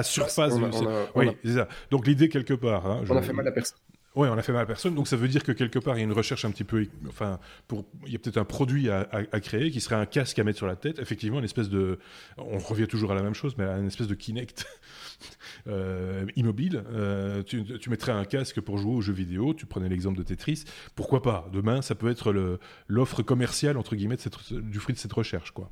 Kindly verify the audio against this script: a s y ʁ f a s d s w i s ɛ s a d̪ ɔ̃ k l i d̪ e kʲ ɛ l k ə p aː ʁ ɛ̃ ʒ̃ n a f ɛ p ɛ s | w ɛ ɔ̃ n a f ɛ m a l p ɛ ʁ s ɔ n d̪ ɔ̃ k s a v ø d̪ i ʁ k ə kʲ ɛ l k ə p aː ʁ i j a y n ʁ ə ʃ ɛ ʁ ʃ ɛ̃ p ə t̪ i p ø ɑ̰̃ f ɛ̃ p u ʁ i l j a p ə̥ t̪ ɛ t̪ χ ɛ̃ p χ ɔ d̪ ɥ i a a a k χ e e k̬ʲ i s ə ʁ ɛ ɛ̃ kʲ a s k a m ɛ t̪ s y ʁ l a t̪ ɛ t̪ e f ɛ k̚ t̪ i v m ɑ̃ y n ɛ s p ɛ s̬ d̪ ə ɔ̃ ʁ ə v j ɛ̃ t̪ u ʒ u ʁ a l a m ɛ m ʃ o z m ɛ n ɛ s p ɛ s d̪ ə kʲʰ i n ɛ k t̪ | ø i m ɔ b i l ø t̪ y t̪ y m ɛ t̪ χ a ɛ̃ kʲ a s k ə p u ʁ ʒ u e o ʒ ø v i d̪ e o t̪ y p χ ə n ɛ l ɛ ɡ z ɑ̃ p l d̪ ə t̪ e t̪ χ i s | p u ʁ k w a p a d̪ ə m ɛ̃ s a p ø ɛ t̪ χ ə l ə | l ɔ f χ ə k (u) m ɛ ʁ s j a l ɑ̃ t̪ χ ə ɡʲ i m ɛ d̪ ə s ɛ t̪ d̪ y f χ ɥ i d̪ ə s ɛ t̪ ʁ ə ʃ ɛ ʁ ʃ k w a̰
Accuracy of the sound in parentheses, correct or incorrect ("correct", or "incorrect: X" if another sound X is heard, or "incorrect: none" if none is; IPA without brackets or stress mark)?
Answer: incorrect: ɔ